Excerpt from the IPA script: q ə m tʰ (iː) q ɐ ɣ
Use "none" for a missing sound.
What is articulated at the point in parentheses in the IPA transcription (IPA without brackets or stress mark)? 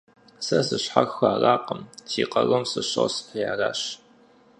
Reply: iː